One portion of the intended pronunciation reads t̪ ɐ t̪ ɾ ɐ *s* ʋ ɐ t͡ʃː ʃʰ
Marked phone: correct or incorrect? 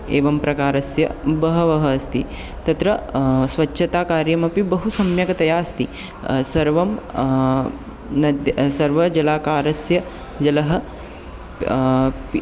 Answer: correct